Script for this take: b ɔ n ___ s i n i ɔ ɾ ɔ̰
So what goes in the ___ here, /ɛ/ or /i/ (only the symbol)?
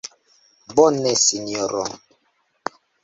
ɛ